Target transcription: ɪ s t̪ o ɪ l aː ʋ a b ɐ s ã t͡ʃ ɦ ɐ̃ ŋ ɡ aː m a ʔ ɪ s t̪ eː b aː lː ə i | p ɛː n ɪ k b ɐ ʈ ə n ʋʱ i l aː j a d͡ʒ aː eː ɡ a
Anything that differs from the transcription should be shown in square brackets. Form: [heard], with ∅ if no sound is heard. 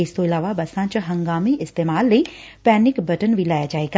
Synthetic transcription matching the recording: ɪ s t̪ o ɪ l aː ʋ a b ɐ s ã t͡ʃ ɦ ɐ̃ ŋ ɡ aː m [i] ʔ ɪ s t̪ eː [m] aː lː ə i | p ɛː n ɪ k b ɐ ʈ ə n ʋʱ i l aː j a d͡ʒ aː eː ɡ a